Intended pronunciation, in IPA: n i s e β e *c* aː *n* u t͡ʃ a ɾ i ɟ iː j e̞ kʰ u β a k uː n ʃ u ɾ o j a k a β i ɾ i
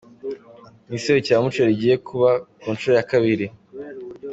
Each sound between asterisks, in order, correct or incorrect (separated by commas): correct, incorrect